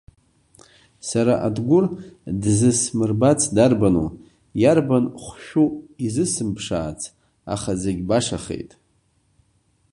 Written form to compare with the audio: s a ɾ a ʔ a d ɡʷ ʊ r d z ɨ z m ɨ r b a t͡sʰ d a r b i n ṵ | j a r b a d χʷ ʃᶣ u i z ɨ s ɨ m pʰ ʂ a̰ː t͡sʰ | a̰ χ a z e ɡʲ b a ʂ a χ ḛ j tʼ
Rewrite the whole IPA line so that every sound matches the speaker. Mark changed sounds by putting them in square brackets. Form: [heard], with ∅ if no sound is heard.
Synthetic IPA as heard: s a ɾ a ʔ a d ɡʷ ʊ r d z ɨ [s] m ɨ r b a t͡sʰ d a r b [a] n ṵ | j a r b a [n] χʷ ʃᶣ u i z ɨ s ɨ m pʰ ʂ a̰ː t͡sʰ | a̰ χ a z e ɡʲ b a ʂ a χ ḛ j tʼ